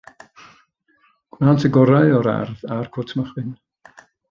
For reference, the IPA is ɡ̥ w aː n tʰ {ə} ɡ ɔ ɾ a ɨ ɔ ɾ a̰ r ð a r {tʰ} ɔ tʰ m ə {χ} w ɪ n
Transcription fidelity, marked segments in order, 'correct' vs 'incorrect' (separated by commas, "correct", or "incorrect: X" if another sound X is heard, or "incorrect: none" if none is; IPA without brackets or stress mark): correct, incorrect: kʰ, correct